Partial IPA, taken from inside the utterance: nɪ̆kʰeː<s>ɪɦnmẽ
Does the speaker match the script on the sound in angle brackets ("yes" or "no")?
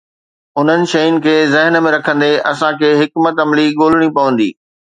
no